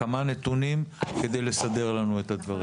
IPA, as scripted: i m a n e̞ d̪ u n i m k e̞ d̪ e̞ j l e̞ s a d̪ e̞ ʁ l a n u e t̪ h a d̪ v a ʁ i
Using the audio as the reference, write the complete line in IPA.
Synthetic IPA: a m a n e̞ t̪ u n i m k e̞ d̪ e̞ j l e̞ s a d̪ e̞ ʁ l a n u e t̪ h a d̪ v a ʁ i